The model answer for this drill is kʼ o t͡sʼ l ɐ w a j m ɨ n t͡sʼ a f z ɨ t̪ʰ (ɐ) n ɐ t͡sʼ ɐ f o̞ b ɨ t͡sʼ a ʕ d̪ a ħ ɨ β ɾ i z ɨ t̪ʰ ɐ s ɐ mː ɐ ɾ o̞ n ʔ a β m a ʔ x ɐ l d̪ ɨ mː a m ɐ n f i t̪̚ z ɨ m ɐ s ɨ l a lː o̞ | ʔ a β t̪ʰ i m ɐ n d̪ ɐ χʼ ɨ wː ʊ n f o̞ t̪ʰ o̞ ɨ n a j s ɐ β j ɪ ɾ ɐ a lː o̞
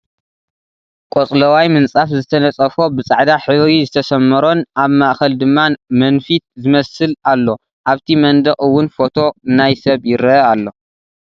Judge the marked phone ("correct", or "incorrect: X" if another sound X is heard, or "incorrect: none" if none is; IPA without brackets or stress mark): correct